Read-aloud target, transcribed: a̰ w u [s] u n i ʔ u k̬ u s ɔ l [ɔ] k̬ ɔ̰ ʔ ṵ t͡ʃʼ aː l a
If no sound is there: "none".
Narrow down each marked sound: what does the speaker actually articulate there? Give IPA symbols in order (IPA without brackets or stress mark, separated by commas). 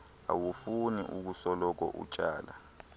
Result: f, ɔ